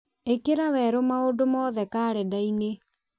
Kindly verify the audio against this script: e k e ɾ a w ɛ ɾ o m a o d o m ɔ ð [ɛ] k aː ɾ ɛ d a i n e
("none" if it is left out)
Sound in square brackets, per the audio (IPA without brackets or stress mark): ɛ